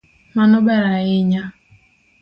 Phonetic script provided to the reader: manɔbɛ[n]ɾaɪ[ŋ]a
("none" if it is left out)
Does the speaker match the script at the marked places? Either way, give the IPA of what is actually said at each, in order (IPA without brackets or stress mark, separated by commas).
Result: none, ɲ